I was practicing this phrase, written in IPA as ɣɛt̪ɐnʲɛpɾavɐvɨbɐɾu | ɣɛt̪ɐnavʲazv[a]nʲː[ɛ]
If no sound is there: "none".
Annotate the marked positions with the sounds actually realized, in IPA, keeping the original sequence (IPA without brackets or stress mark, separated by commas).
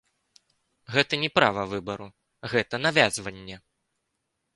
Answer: ɐ, ɛ